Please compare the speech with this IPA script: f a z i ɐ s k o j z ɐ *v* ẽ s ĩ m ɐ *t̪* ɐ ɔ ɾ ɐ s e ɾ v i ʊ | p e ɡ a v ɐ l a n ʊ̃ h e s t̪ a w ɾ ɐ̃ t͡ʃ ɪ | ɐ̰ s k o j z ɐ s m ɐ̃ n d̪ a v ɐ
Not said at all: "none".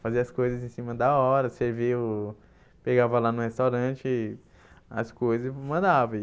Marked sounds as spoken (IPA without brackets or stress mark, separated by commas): z, d̪